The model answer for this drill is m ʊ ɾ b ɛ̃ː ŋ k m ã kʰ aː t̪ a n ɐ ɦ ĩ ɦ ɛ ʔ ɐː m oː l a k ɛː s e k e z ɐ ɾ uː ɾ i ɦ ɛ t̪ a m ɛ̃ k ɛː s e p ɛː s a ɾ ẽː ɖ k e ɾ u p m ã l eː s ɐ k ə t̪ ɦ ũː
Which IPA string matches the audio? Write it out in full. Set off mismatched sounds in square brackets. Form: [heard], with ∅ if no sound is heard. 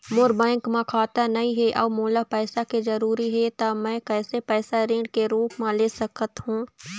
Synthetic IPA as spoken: m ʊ ɾ b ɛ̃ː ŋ k m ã kʰ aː t̪ a n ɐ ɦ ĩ ɦ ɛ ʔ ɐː m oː l a [p] ɛː s [a] k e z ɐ ɾ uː ɾ i ɦ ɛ t̪ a m ɛ̃ k ɛː s e p ɛː s a ɾ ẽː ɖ k e ɾ [uː] p m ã l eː s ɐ k ə t̪ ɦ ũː